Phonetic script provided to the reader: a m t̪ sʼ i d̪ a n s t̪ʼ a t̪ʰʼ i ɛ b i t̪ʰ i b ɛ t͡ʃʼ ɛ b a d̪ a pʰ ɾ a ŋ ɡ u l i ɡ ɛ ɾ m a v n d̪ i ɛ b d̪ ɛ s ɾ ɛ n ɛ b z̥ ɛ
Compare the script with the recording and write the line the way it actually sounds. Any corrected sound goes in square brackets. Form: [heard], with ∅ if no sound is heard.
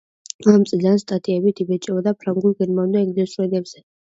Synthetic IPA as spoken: a m t̪ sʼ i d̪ a n s t̪ʼ a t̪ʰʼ i ɛ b i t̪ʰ i b ɛ t͡ʃʼ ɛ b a d̪ a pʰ ɾ a ŋ ɡ u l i ɡ ɛ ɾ m a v n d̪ [a] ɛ [ɡ] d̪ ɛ s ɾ ɛ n ɛ b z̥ ɛ